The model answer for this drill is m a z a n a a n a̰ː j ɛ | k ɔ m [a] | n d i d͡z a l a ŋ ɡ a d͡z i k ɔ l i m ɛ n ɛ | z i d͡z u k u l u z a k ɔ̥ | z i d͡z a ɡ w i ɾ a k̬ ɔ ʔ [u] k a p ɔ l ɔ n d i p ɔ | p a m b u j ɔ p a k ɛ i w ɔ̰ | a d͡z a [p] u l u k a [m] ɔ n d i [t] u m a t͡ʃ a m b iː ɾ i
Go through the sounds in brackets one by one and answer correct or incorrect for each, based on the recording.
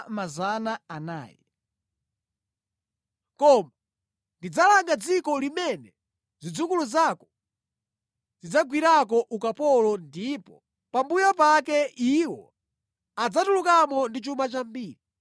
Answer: correct, correct, incorrect: t, correct, incorrect: t͡ʃ

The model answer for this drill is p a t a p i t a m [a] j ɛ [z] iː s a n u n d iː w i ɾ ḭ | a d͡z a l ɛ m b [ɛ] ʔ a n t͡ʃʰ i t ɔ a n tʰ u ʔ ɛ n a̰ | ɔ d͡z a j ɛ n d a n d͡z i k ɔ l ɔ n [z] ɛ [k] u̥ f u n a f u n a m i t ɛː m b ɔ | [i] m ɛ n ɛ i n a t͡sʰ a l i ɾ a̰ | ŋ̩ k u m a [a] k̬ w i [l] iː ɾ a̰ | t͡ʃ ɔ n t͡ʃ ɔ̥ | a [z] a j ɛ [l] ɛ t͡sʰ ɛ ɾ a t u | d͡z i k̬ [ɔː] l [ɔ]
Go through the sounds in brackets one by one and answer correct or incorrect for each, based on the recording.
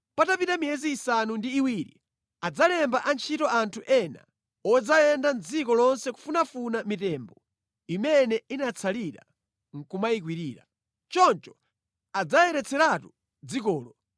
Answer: incorrect: i, correct, incorrect: a, incorrect: s, correct, correct, incorrect: i, incorrect: ɾ, incorrect: d͡z, incorrect: ɾ, correct, correct

